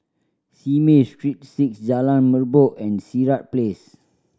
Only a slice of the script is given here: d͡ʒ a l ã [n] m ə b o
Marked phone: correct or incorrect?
correct